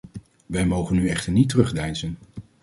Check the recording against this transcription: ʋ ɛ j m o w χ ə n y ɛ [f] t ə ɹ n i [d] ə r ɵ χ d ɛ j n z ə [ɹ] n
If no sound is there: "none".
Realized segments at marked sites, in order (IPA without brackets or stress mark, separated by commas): χ, t, none